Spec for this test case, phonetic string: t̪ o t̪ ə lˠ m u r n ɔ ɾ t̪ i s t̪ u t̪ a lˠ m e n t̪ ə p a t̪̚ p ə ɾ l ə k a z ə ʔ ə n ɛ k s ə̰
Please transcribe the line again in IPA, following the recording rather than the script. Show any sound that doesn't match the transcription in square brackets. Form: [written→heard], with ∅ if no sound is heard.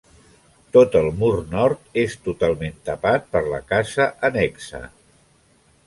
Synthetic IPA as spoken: t̪ o t̪ ə lˠ m u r n ɔ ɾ t̪ [i→e] s t̪ u t̪ a lˠ m e n t̪ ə p a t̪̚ p ə ɾ l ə k a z ə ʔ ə n ɛ k s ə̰

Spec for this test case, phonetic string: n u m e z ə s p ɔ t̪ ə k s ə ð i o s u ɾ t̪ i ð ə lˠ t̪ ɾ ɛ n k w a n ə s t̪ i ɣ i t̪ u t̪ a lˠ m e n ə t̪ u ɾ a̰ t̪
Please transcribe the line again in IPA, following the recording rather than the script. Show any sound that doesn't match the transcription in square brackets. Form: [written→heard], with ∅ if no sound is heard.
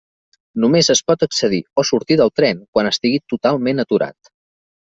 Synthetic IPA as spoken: n u m e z ə s p ɔ t̪ ə k s ə ð i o s u ɾ t̪ i ð ə lˠ t̪ ɾ ɛ n k w a n ə s t̪ i ɣ i t̪ u t̪ a lˠ m e n ə t̪ u ɾ a̰ t̪

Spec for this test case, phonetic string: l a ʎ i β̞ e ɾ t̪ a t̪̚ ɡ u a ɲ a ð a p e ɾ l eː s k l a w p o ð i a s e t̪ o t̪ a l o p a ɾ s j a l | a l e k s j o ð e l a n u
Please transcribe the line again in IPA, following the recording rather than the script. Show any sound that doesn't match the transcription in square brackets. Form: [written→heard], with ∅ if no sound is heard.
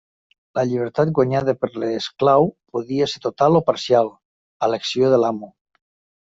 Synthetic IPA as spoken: l a ʎ i β̞ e ɾ t̪ a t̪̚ ɡ [u→w] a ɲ a ð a p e ɾ l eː s k l a w p o ð i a s e t̪ o t̪ a l o p a ɾ s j a l | a l e k s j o ð e l a [n→m] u

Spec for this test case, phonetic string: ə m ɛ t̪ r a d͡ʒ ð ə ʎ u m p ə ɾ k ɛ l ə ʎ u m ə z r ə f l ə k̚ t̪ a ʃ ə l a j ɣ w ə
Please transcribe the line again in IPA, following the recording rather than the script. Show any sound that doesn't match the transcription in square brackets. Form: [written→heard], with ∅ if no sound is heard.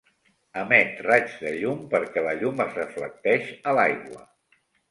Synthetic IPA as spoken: ə m ɛ t̪ r a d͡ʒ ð ə ʎ u m p ə ɾ k ɛ l ə ʎ u m ə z r ə f l ə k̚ t̪ [a→ɛ] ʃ ə l a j ɣ w ə

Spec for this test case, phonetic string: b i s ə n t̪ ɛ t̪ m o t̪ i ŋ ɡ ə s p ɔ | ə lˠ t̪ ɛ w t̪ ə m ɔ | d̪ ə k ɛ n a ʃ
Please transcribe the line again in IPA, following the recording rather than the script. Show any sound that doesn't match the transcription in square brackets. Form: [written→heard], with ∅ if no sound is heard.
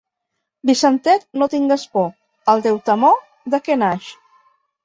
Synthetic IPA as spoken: b i s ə n t̪ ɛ t̪ [m→n] o t̪ i ŋ ɡ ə s p ɔ | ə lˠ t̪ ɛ w t̪ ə m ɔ | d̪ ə k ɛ n a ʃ

